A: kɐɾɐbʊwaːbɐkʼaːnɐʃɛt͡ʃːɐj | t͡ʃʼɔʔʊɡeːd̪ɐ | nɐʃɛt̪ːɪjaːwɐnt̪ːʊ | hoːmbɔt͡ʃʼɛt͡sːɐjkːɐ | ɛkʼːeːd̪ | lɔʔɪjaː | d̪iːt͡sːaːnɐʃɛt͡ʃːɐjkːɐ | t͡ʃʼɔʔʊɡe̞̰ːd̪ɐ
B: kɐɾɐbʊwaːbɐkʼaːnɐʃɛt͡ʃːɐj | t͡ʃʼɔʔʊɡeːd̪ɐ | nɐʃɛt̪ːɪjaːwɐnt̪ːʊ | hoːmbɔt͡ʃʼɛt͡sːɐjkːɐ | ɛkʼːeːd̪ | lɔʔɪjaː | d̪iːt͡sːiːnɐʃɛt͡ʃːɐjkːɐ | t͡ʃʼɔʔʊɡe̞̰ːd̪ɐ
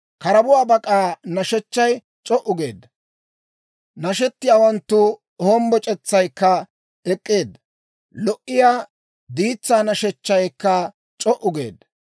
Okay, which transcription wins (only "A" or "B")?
A